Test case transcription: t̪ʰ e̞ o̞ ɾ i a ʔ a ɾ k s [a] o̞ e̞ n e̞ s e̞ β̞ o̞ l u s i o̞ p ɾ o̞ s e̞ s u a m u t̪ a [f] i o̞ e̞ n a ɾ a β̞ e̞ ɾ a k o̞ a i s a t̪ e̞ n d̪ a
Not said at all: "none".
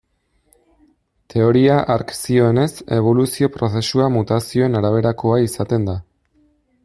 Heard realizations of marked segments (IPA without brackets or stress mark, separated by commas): i, s